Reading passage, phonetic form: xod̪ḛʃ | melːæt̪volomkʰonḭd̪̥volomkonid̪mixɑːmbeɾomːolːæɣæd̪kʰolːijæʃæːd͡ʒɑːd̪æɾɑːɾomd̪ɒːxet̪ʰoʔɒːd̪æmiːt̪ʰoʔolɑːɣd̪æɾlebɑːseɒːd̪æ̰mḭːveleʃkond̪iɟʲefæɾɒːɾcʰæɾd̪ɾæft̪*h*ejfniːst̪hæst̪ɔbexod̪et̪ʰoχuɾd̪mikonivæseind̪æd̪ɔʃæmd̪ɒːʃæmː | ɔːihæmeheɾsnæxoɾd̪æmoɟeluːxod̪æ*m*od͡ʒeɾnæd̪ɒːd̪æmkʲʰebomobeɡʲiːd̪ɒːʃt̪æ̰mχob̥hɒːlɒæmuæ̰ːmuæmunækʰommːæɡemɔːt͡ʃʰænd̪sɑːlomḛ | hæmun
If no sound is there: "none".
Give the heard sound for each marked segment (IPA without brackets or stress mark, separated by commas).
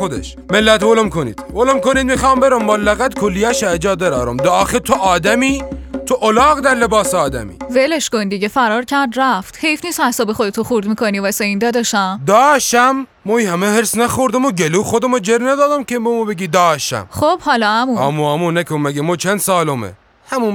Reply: h, m